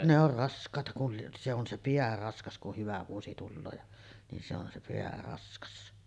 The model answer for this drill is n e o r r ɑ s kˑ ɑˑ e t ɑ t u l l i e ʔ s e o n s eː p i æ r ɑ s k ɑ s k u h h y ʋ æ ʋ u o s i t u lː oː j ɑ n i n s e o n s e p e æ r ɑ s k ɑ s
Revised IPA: n e o r r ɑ s kˑ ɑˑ e t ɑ k u l l i e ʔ s e o n s e p i æ r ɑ s k ɑ s k u h h y ʋ æ ʋ u o s i t u lː oː j ɑ n i n s e o n s e p e æ r ɑ s k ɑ s

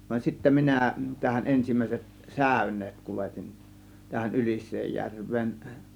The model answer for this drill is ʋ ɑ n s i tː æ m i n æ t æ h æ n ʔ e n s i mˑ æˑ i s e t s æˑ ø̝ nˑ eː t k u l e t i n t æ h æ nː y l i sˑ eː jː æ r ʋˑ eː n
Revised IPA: ʋ ɑ n s i tː æ m i n æ t æ h æ n ʔ e n s i mˑ æˑ i s e t s æˑ ø̝ nˑ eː t k u l e t i n t æ h æ n y l i sˑ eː jː æ r ʋˑ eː n

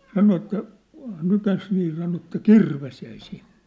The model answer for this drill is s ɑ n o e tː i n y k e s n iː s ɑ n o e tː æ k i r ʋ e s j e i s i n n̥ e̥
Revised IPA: s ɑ n o e tː æ n y k æ s n iː s ɑ n o e tː æ k i r ʋ e s j æ i s i n n̥ e̥

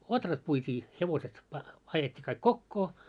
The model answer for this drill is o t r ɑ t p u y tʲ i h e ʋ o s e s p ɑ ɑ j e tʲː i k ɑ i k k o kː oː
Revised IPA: o t r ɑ t p u i tʲ iː h e ʋ o s e t p ɑ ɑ j e tʲː i k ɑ i k k o kː oː

